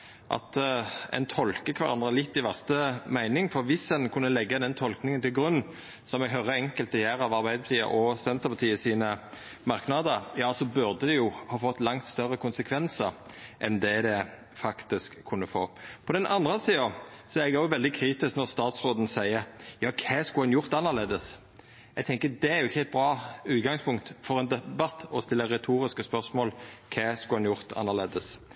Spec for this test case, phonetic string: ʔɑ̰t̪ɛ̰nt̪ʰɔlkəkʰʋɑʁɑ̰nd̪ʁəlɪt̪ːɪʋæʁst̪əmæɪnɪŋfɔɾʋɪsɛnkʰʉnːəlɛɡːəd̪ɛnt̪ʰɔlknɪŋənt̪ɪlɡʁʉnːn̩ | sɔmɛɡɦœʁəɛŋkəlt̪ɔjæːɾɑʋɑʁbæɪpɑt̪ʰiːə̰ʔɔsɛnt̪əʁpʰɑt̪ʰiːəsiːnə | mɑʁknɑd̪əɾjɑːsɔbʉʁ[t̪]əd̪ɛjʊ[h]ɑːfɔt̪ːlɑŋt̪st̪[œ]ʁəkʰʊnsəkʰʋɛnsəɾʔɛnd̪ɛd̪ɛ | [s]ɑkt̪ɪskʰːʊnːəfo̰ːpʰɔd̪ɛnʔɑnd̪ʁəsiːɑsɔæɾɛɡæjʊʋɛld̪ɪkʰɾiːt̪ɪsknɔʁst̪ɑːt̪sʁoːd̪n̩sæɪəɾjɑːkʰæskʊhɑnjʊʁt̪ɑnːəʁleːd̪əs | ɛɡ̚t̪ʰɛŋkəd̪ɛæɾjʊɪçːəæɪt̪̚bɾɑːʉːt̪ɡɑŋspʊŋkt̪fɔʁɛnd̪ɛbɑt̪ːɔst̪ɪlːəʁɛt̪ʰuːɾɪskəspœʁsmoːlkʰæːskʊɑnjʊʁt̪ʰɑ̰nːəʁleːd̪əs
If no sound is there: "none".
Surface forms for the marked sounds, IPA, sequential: d̪, h, œ, f

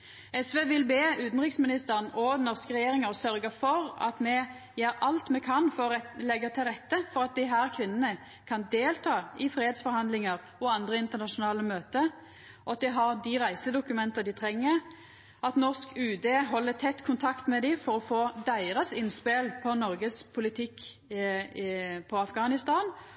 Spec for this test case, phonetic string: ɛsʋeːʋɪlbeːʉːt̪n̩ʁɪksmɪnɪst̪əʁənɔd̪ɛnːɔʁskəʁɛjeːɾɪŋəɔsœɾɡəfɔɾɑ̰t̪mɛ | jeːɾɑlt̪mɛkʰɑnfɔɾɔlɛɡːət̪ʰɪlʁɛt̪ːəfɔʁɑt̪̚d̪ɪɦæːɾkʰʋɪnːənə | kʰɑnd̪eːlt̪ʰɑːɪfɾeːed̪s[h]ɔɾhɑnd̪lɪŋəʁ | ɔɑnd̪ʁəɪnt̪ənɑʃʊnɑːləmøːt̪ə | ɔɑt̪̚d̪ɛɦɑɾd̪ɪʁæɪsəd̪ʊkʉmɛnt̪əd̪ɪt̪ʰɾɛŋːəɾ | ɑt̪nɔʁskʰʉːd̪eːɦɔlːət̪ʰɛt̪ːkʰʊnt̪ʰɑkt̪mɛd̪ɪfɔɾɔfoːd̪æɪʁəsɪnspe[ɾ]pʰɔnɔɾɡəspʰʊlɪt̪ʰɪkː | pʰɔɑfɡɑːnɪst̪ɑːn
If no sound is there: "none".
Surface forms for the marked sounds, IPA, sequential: f, l

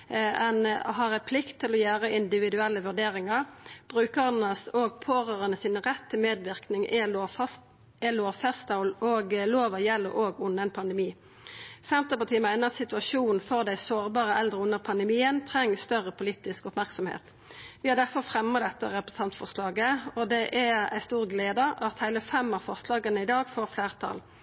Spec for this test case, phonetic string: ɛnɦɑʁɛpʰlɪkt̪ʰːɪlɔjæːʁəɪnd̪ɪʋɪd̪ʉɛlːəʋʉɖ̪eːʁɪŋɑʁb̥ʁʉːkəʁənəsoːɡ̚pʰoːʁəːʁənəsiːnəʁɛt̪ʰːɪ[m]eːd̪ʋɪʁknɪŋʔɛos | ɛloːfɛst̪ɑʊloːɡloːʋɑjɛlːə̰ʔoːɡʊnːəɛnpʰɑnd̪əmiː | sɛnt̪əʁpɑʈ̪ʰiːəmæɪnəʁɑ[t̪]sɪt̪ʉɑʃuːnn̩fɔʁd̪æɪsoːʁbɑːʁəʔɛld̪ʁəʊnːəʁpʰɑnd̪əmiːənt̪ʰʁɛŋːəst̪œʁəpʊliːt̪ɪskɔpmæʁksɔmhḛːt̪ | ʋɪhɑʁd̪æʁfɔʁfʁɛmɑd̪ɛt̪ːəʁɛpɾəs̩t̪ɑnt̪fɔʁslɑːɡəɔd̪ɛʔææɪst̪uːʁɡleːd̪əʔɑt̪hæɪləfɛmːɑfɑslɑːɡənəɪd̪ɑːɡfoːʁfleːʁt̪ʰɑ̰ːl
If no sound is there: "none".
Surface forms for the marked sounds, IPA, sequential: m, t̪

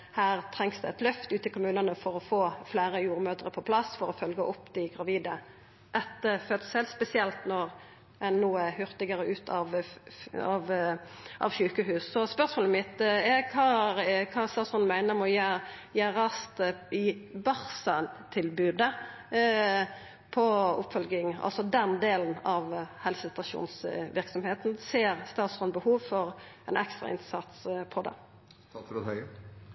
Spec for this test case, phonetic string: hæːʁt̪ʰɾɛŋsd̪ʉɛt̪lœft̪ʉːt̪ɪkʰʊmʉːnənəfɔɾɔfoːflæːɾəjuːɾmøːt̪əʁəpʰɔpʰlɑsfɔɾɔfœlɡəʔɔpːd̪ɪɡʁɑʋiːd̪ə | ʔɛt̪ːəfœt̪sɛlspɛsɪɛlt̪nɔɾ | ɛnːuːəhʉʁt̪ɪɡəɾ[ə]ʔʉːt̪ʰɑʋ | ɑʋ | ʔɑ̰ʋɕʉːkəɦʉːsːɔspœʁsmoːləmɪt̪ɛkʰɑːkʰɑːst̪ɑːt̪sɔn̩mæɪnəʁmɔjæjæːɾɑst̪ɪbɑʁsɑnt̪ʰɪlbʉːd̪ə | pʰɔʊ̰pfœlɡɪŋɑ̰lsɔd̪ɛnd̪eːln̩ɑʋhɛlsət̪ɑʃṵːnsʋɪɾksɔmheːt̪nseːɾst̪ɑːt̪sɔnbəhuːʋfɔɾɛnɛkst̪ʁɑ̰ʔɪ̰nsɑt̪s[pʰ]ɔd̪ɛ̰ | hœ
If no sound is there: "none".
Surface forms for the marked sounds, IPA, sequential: ə, pʰ

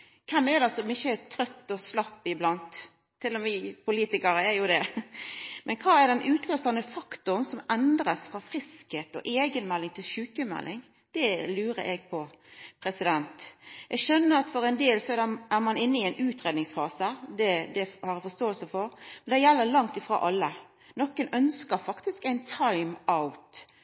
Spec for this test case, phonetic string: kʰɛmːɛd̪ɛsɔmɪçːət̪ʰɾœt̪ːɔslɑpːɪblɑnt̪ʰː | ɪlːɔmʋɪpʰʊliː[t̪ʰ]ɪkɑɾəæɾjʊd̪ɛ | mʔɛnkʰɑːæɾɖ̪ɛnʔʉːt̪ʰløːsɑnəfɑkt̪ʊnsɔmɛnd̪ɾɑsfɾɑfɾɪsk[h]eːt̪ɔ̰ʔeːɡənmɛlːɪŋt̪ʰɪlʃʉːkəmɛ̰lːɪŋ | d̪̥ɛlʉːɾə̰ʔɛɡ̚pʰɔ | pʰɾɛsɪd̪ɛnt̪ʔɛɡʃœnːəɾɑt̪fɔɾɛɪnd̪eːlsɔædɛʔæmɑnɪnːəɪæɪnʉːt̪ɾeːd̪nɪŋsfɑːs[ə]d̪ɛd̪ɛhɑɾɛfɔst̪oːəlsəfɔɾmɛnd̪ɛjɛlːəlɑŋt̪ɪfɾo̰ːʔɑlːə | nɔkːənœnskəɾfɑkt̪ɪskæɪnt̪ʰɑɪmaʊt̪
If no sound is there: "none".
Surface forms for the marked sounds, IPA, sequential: t̪, h, ə

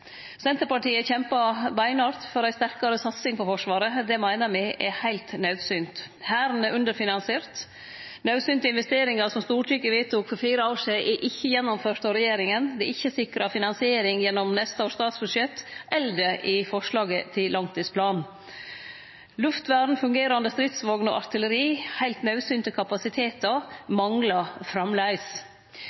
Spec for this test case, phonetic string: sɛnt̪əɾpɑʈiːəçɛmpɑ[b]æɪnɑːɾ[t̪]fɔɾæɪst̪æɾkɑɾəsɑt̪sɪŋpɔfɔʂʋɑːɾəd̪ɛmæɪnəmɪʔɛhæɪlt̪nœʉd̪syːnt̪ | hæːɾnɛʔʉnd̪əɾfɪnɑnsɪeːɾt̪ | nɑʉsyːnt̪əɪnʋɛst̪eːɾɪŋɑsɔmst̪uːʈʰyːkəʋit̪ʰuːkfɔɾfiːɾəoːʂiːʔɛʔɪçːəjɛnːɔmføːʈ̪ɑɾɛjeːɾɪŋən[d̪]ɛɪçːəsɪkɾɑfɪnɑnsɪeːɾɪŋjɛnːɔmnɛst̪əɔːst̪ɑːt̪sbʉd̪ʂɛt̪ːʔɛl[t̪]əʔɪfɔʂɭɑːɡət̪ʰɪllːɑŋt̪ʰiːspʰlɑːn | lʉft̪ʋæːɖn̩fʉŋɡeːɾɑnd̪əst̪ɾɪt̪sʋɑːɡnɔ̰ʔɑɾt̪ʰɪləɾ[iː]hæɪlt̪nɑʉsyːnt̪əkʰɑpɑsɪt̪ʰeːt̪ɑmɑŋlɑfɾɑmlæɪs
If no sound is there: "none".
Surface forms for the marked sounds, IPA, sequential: b, t̪, d̪, d̪, iː

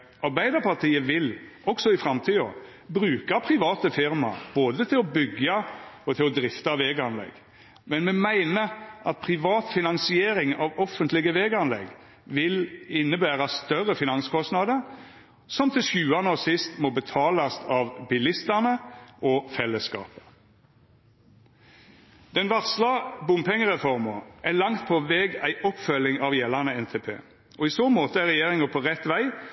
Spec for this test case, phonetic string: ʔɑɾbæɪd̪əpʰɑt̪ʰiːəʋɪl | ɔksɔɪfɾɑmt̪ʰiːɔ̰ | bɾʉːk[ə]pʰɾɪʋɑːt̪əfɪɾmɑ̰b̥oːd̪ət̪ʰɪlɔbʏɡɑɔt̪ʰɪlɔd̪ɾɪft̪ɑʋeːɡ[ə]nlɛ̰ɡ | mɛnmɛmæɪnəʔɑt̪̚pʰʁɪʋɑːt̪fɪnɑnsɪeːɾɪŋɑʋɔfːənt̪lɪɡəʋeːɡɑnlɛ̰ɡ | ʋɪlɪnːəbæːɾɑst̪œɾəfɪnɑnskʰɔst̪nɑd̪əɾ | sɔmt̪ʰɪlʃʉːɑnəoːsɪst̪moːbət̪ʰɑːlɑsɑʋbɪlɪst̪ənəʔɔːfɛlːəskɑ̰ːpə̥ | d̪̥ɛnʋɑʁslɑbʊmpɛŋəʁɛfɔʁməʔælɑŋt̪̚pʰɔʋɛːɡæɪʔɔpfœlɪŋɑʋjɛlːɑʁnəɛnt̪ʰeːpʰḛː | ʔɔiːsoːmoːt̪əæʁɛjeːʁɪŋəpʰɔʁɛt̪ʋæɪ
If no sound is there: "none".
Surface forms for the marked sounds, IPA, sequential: ɑ, ɑ

